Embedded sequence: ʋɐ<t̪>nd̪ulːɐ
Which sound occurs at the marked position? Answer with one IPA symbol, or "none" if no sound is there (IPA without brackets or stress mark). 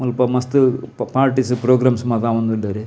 none